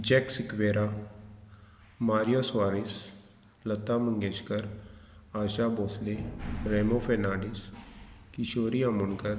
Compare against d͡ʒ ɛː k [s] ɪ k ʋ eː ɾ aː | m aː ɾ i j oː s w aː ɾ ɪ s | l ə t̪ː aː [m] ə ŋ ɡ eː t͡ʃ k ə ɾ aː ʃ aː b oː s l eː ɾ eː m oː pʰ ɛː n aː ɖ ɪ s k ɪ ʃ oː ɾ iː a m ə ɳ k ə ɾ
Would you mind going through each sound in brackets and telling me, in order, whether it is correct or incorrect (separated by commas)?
correct, correct